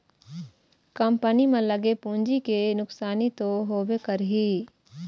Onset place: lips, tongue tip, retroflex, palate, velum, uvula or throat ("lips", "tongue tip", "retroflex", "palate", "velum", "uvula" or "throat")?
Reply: velum